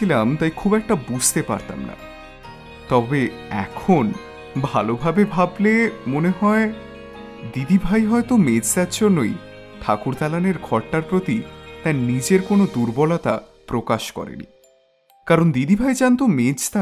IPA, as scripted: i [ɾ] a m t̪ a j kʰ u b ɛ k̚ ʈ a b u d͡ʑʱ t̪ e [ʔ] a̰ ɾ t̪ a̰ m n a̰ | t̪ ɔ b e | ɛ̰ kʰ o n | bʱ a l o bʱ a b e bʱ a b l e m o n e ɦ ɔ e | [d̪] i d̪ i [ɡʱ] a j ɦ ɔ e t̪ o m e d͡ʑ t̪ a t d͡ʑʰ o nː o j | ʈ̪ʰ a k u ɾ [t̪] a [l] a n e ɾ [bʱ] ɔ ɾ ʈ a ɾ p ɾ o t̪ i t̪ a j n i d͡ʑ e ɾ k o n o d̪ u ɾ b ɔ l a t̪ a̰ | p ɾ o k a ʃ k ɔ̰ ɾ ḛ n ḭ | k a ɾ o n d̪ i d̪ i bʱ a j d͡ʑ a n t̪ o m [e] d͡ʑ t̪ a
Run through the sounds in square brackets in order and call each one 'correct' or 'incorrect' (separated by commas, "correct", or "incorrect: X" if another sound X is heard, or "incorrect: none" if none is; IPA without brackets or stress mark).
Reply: incorrect: l, incorrect: p, correct, incorrect: bʱ, correct, correct, incorrect: ɡʱ, correct